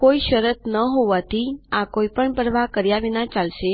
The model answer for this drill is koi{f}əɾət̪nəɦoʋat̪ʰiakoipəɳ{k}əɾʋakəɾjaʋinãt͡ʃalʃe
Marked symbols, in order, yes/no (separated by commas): no, no